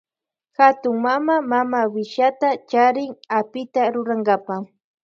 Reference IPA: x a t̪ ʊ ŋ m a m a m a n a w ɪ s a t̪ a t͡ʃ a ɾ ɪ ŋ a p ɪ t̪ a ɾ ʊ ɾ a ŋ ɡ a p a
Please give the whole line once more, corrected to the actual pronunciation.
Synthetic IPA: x a t̪ ʊ ŋ m a m a m a m a w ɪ ʃ a t̪ a t͡ʃ a ɾ ɪ ŋ a p ɪ t̪ a ɾ ʊ ɾ a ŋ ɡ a p a